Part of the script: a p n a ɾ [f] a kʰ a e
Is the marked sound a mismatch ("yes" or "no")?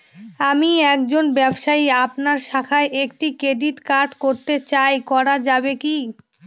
yes